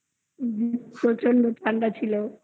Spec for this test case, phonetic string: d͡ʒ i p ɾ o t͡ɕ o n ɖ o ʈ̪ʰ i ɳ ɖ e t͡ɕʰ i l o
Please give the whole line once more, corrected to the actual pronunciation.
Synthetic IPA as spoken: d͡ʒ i p ɾ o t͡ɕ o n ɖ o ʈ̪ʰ a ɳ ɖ a t͡ɕʰ i l o